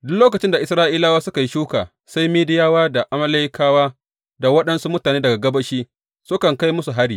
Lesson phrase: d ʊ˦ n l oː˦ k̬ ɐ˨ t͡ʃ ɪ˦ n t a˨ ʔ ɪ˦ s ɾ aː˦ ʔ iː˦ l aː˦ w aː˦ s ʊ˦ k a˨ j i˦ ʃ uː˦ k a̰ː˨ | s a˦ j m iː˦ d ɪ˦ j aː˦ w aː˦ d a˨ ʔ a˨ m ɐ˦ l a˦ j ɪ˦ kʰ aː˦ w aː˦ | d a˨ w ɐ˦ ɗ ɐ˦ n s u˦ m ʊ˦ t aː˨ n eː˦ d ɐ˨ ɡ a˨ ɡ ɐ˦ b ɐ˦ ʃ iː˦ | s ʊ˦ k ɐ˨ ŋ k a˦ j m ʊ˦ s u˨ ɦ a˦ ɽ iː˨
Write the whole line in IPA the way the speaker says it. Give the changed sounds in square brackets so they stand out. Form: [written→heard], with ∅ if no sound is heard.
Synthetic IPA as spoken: d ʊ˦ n l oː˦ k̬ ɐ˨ t͡ʃ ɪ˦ n [t→d] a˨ ʔ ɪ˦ s ɾ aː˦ ʔ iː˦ l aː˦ w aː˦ s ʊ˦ k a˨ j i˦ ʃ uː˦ k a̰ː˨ | s a˦ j m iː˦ d ɪ˦ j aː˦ w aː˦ d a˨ ʔ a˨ m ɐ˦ l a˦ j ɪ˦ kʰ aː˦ w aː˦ | d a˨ w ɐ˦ ɗ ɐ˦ n s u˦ m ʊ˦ t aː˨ n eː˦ d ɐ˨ ɡ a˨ ɡ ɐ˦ b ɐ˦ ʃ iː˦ | s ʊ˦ k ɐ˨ ŋ k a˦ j m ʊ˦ s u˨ ɦ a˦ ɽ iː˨